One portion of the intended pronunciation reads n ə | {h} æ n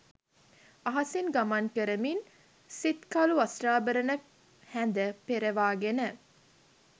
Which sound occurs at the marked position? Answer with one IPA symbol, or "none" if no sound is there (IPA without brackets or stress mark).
h